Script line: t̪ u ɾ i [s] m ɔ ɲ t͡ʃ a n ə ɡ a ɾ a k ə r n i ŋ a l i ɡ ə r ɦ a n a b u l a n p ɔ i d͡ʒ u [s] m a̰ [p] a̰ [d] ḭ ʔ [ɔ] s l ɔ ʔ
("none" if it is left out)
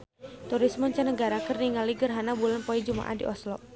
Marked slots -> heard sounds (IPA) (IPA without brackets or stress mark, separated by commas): s, none, ʔ, d, ɔ